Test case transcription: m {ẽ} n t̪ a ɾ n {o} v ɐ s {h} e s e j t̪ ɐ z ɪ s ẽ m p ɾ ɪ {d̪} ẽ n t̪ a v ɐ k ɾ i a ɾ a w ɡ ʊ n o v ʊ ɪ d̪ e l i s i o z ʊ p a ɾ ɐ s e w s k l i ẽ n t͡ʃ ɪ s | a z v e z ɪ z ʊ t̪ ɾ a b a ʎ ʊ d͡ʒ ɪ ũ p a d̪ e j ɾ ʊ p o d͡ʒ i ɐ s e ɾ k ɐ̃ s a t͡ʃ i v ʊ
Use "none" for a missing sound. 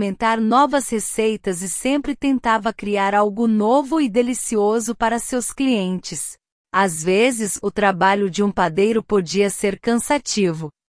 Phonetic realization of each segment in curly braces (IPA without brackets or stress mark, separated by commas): ẽ, ɔ, h, t̪